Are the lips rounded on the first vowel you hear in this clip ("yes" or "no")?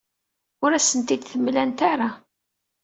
yes